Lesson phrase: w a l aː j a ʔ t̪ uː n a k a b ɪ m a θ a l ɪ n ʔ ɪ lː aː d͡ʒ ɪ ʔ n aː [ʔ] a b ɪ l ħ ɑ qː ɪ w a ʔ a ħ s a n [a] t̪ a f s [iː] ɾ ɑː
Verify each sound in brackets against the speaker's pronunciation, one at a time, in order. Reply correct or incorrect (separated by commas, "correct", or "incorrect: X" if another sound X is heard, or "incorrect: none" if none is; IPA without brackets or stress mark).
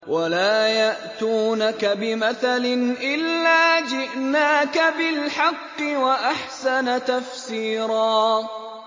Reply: incorrect: k, correct, correct